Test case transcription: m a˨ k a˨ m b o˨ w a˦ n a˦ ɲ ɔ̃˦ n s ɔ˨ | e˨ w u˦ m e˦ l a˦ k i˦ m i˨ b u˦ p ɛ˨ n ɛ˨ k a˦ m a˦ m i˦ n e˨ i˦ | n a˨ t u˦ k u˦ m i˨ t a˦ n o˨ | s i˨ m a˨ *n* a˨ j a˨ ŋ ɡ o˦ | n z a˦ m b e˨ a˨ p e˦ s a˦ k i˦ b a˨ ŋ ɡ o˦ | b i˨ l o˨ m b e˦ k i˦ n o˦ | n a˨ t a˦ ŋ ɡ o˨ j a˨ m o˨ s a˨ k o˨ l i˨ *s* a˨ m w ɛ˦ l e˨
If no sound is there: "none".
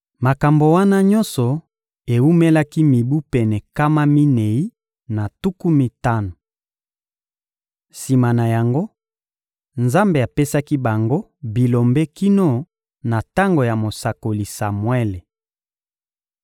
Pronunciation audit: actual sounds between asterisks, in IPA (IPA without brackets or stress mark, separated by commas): n, s